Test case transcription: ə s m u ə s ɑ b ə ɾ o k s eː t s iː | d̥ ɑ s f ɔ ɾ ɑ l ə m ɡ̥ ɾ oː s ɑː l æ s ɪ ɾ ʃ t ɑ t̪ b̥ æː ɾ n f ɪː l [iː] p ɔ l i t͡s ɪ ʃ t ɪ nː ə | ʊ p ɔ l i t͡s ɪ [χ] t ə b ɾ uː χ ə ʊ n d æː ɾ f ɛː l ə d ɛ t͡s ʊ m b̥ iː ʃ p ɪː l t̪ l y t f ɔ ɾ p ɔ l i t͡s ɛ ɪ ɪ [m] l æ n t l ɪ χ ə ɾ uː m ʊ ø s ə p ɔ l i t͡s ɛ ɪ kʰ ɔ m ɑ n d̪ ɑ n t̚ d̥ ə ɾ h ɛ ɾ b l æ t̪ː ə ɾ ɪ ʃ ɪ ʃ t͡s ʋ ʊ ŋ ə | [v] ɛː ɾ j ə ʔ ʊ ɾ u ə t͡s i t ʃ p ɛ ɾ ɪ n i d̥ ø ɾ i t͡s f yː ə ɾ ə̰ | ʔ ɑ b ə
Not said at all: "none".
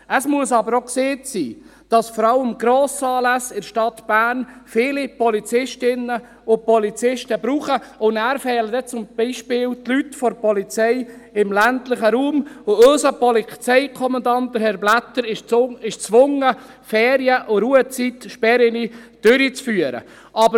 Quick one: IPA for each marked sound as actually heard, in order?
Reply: i, ʃ, m, f

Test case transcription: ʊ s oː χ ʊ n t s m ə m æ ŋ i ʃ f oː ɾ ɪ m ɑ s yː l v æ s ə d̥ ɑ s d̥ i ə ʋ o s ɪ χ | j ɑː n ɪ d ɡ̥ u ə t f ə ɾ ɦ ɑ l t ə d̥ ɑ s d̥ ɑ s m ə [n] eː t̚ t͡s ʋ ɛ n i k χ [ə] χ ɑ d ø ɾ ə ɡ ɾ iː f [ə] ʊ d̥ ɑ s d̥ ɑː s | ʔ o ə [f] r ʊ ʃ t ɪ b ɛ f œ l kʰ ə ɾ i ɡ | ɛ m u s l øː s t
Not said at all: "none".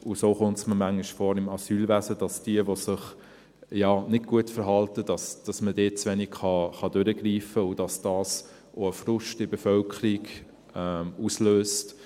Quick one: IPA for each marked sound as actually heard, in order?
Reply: d, ɑ, ə, f

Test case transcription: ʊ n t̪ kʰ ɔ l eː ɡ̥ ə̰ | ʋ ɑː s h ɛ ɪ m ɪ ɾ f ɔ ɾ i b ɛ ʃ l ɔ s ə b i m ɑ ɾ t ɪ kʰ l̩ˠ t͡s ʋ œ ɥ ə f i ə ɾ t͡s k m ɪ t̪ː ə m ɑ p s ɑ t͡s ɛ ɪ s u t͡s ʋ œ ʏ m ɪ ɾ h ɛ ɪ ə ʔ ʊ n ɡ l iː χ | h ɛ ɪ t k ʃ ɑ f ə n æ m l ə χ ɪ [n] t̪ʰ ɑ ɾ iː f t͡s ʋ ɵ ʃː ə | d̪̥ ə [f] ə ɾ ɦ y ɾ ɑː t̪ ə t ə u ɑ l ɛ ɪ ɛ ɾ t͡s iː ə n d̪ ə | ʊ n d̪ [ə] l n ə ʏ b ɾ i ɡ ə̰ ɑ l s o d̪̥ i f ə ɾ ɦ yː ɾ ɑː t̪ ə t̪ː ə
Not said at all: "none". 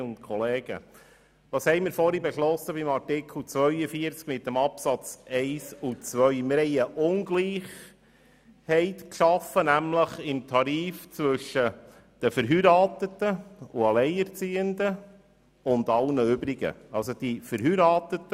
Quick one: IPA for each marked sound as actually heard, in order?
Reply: m, f, ɑ

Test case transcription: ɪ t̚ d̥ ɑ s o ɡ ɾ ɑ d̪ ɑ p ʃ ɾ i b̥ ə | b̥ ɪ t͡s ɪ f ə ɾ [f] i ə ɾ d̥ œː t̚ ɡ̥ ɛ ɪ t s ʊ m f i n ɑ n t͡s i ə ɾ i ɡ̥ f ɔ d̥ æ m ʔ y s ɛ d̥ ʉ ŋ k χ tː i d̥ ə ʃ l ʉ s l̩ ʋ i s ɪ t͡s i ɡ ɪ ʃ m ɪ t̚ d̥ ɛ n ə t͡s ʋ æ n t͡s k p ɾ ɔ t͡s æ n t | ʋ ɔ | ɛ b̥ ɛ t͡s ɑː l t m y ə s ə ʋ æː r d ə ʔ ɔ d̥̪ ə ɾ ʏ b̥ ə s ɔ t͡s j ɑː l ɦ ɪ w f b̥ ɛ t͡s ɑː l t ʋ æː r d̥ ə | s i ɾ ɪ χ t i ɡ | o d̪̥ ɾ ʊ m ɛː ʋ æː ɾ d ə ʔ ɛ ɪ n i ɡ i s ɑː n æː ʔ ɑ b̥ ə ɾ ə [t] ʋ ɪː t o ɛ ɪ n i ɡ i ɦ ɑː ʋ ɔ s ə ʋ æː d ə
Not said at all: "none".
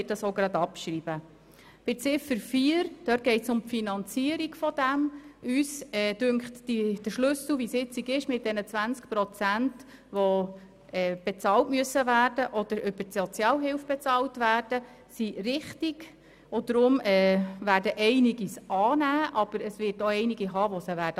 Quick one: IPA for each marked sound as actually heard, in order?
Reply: f, s

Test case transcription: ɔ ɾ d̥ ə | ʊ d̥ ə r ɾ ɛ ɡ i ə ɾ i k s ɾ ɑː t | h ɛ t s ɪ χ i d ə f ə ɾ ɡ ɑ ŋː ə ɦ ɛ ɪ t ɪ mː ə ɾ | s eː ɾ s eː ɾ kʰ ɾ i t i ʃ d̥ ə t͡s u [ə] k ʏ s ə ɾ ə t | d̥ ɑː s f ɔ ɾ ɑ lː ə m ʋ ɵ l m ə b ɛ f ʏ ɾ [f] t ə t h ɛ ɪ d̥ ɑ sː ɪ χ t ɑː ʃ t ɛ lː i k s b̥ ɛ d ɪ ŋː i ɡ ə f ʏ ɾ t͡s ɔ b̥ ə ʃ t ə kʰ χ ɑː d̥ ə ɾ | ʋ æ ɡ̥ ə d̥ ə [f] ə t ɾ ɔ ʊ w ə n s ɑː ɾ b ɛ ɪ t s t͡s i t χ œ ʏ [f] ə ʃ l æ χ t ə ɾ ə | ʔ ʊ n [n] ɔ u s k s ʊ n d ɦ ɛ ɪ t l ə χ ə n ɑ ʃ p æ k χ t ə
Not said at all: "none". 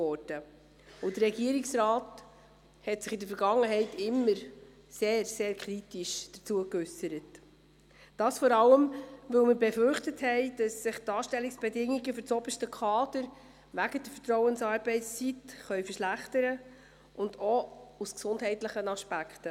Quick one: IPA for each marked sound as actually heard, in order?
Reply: ə, χ, f, f, d

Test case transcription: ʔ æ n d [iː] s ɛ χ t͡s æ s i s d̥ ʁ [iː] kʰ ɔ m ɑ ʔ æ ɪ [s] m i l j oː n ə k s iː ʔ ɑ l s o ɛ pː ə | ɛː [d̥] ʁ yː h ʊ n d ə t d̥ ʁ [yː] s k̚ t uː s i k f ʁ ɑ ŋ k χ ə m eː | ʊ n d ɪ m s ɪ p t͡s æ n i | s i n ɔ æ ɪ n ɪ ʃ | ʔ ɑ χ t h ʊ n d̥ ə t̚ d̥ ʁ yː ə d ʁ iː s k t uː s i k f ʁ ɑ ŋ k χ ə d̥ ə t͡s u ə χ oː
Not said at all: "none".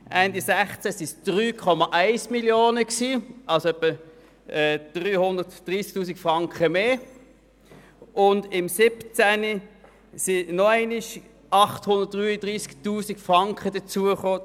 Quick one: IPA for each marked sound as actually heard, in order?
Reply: i, yː, s, d̥, iː

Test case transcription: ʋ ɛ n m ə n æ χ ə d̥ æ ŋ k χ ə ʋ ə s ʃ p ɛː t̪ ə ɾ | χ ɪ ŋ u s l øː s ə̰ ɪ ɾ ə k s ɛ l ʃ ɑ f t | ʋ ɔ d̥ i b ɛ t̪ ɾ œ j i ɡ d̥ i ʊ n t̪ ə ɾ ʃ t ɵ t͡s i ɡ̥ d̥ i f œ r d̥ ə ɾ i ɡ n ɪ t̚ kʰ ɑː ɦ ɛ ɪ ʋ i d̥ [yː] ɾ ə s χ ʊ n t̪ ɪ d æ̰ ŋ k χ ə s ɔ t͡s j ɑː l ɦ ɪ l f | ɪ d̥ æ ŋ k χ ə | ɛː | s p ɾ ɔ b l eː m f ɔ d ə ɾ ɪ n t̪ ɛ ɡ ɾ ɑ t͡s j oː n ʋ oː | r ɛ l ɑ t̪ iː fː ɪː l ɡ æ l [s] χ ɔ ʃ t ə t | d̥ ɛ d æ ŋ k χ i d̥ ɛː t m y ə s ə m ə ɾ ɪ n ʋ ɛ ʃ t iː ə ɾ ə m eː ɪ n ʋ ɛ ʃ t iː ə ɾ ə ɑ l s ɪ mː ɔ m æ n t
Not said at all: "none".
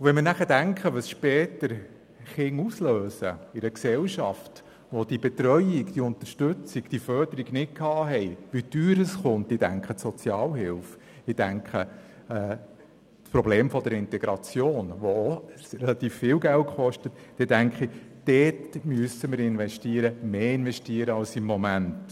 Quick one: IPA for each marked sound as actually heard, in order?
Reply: yː, t

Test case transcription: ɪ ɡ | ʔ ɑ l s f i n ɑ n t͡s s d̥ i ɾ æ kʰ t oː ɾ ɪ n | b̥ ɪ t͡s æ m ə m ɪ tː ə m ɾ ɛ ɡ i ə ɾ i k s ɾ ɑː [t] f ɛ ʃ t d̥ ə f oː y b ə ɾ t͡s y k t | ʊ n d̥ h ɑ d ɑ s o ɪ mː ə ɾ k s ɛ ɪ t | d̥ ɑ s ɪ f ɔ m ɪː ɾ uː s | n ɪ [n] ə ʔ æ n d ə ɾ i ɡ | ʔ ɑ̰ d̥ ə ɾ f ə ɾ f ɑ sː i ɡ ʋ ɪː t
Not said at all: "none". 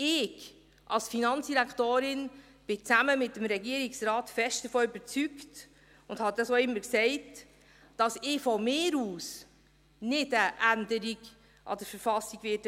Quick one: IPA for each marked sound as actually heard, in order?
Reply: t, d

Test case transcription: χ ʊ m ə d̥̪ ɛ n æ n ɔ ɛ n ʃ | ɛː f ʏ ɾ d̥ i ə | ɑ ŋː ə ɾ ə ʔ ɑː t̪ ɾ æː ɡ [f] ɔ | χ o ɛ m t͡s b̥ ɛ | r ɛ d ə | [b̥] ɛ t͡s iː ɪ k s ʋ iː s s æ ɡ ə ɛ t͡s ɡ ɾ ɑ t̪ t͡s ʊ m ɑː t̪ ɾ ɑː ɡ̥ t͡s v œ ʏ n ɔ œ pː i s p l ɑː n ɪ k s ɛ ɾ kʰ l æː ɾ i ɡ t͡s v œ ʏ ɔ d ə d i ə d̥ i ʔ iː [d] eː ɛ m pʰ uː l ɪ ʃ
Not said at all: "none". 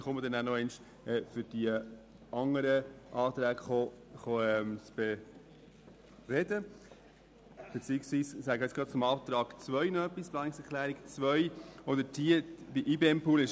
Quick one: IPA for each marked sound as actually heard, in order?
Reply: χ, b̥, b

